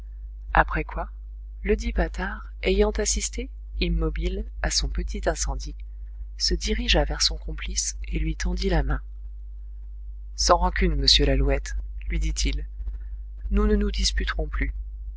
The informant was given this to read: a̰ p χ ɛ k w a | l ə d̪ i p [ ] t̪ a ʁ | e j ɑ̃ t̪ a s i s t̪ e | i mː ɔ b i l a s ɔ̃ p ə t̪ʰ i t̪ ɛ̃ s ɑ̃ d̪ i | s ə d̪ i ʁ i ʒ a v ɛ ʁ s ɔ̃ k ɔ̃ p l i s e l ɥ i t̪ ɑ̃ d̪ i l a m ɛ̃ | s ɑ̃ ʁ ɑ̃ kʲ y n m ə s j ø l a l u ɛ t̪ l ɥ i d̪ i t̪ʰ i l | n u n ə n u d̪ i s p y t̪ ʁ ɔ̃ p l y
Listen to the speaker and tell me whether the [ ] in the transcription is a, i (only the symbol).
a